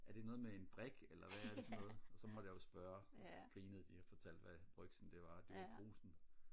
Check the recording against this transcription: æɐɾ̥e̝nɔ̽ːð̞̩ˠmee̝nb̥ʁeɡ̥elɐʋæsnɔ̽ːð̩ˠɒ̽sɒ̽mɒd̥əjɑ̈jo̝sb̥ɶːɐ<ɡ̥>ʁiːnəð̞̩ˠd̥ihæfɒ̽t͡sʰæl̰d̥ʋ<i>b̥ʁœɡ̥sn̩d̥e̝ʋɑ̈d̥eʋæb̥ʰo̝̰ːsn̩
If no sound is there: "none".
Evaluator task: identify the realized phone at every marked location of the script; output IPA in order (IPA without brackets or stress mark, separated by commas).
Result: ɡ̥, æ